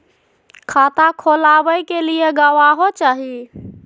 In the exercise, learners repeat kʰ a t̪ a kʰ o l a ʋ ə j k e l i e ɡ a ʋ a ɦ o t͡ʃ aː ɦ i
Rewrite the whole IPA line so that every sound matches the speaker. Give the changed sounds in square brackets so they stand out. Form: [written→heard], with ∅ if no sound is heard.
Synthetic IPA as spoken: kʰ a t̪ a kʰ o l a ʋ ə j k e l i e ɡ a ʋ a ɦ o t͡ʃ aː ɦ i